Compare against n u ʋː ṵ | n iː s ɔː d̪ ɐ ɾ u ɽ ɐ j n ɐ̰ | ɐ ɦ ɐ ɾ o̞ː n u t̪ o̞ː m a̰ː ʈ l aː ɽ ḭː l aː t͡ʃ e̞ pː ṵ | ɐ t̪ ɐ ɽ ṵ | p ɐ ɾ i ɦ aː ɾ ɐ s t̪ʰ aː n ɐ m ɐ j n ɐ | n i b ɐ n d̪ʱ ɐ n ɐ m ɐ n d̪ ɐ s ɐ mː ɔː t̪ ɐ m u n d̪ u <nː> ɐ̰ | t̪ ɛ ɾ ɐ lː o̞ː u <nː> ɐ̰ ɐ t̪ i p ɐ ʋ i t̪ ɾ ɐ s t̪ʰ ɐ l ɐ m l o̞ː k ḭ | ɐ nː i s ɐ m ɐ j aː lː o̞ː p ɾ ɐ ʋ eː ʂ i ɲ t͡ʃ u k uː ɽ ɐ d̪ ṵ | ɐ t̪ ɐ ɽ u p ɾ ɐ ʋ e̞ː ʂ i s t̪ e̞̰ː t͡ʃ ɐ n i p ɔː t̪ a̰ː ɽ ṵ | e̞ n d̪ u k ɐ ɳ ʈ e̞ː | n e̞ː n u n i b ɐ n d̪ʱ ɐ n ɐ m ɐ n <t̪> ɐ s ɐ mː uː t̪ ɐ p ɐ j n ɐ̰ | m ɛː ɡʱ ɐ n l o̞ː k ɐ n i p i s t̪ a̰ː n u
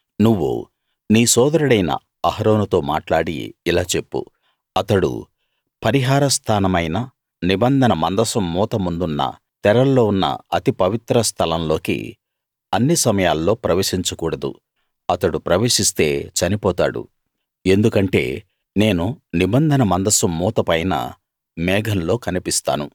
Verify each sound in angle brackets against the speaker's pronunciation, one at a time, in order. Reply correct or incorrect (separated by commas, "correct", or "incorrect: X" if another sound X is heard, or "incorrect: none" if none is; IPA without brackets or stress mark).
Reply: correct, correct, incorrect: d̪